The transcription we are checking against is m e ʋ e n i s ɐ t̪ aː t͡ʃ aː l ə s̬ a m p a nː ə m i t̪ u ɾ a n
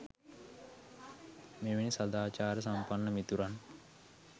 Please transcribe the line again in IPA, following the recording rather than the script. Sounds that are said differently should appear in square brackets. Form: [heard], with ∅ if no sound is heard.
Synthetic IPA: m e ʋ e n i s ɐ [d̪] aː t͡ʃ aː [ɾ] ə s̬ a m p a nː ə m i t̪ u ɾ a n